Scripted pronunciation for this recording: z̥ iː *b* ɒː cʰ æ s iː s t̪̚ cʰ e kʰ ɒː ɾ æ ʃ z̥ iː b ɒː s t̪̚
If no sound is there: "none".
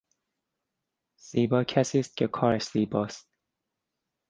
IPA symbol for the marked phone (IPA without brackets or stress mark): b